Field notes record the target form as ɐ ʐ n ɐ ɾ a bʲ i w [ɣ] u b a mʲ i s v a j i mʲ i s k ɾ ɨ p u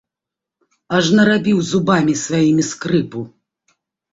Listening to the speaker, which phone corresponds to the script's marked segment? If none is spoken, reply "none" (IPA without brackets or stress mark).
z